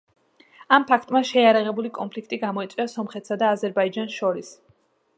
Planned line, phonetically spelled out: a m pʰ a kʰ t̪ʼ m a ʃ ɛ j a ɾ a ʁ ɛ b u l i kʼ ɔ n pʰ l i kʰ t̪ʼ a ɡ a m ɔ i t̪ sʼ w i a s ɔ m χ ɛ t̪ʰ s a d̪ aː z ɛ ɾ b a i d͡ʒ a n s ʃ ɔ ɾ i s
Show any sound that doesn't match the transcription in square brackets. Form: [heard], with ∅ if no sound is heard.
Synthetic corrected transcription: a m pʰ a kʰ t̪ʼ m a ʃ ɛ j a ɾ a ʁ ɛ b u l i kʼ ɔ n pʰ l i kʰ t̪ʼ [i] ɡ a m ɔ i t̪ sʼ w i a s ɔ m χ ɛ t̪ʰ s a d̪ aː z ɛ ɾ b a i d͡ʒ a n s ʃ ɔ ɾ i s

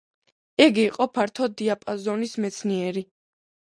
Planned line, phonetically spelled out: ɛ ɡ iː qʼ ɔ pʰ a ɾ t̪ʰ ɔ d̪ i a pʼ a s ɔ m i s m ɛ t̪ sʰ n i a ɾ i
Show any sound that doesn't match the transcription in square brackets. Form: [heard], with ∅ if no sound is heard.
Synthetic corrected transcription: ɛ ɡ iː qʼ ɔ pʰ a ɾ t̪ʰ ɔ d̪ i a pʼ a [z] ɔ [n] i s m ɛ t̪ sʰ n i [ɛ] ɾ i

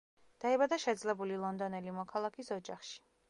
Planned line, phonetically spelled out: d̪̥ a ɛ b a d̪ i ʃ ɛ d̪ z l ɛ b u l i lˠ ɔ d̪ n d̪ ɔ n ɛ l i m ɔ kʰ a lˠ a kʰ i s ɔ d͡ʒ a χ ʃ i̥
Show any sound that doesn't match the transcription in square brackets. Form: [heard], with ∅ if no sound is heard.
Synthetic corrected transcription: d̪̥ a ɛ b a d̪ [a] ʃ ɛ d̪ z l ɛ b u l i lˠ ɔ [∅] n d̪ ɔ n ɛ l i m ɔ kʰ a lˠ a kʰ i s ɔ d͡ʒ a χ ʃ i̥

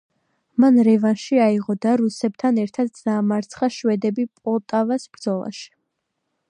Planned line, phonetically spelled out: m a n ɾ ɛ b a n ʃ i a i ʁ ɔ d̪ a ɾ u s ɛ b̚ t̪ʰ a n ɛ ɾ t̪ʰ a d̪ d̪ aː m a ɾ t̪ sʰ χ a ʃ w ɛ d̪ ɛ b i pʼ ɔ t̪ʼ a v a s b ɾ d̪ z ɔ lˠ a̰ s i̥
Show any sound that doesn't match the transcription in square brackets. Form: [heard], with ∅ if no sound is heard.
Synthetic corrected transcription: m a n ɾ ɛ [v] a n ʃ i a i ʁ ɔ d̪ a ɾ u s ɛ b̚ t̪ʰ a n ɛ ɾ t̪ʰ a d̪ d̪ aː m a ɾ t̪ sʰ χ a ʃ w ɛ d̪ ɛ b i pʼ ɔ t̪ʼ a v a s b ɾ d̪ z ɔ lˠ a̰ [ʃ] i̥

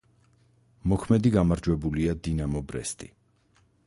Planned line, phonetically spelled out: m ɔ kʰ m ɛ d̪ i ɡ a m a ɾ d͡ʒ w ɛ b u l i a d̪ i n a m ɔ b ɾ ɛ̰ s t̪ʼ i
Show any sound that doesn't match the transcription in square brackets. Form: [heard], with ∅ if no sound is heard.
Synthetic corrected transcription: m ɔ kʰ m ɛ d̪ i ɡ a m a ɾ d͡ʒ w ɛ b u l i a d̪ i n a m ɔ b ɾ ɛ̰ s t̪ʼ i

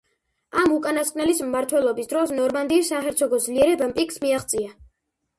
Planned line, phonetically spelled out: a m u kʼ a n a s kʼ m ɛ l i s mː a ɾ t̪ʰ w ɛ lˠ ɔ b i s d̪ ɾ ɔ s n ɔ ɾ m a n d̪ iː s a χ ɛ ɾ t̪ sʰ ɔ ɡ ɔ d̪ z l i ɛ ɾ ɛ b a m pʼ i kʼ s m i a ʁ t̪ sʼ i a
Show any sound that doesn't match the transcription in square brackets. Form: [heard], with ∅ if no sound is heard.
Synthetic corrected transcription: a m u kʼ a n a s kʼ [n] ɛ l i s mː a ɾ t̪ʰ w ɛ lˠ ɔ b i s d̪ ɾ ɔ s n ɔ ɾ m a n d̪ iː s a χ ɛ ɾ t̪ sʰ ɔ ɡ ɔ d̪ z l i ɛ ɾ ɛ b a m pʼ i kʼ s m i a [χ] t̪ sʼ i a

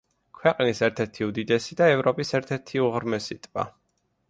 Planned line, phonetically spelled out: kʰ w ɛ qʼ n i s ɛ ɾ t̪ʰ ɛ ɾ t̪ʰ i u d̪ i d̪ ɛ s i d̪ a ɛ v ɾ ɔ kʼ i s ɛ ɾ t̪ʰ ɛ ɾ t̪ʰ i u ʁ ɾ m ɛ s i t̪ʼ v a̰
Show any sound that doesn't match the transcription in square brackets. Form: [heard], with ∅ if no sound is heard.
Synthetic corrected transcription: kʰ w ɛ qʼ n i s ɛ ɾ t̪ʰ ɛ ɾ t̪ʰ i u d̪ i d̪ ɛ s i d̪ a ɛ v ɾ ɔ [pʼ] i s ɛ ɾ t̪ʰ ɛ ɾ t̪ʰ i u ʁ ɾ m ɛ s i t̪ʼ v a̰

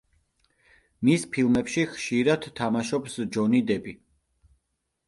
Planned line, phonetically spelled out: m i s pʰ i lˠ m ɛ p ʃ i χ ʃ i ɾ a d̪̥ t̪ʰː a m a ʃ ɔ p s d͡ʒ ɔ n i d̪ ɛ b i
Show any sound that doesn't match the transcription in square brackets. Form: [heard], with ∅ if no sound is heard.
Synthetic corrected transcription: m i s pʰ i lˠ m ɛ p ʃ i χ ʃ i ɾ a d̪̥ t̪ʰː a m a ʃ ɔ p s d͡ʒ ɔ n i d̪ ɛ b i

